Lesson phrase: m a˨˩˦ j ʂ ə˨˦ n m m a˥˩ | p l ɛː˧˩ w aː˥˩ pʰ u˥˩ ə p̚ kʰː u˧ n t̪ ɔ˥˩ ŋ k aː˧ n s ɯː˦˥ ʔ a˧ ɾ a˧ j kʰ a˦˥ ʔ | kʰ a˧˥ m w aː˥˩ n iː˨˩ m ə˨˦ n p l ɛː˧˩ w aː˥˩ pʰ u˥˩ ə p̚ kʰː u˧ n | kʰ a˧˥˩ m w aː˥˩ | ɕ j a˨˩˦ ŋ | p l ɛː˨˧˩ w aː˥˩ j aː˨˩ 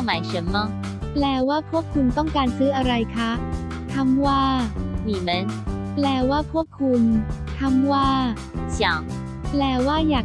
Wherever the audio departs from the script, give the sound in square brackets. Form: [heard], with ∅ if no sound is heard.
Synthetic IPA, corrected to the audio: m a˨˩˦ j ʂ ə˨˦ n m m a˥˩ | p l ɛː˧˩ w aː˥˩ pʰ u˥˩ ə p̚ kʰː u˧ n t̪ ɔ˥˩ ŋ k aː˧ n s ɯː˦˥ ʔ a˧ ɾ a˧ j kʰ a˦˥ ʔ | kʰ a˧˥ m w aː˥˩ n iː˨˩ m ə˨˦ n p l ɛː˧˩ w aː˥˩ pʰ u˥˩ ə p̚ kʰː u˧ n | kʰ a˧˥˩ m w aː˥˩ | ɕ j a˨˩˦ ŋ | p l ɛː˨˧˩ w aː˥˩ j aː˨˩